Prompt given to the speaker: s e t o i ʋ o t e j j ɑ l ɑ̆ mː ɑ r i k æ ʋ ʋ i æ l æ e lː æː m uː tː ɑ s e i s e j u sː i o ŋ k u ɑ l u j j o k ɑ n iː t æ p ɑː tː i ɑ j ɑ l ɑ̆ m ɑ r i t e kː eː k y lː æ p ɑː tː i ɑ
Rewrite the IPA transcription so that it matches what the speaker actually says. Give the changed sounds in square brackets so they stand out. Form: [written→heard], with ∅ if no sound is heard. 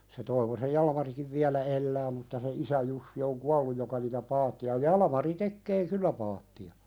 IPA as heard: s e t o i ʋ o [t→s] e j j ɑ l ɑ̆ [mː→m] ɑ r i k [æ→i] ʋ ʋ i æ l æ e lː æː m [uː→u] tː ɑ s e i s [e→æ] j u sː i o ŋ k u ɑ [l→lː] u j j o k ɑ n iː t æ p ɑː tː i ɑ j ɑ l ɑ̆ m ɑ r i t e kː eː k y lː æ p ɑː tː i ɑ